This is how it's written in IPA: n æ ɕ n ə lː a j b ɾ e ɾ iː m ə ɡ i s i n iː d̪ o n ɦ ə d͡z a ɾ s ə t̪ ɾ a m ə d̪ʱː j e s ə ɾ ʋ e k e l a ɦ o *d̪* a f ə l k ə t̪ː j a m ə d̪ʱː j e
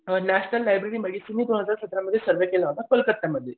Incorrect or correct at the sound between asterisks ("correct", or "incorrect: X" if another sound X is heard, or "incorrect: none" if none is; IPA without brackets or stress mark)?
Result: incorrect: t̪